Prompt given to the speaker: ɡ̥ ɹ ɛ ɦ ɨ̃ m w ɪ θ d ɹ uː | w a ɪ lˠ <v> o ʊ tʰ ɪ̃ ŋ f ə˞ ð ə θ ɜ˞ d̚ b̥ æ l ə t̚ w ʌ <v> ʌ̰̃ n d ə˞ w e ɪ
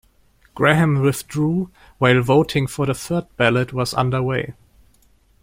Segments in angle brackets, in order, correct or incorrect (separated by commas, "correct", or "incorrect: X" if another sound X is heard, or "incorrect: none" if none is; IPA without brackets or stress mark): correct, incorrect: z